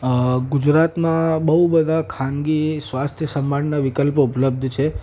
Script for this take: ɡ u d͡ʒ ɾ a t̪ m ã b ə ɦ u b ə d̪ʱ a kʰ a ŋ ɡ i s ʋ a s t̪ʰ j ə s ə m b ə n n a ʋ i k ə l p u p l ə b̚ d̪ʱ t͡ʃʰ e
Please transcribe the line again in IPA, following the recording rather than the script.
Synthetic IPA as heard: ɡ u d͡ʒ ɾ a t̪ m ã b ə ɦ u b ə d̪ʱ a kʰ a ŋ ɡ i s ʋ a s t̪ʰ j ə s ə m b a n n a ʋ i k ə l p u p l ə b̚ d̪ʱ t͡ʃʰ e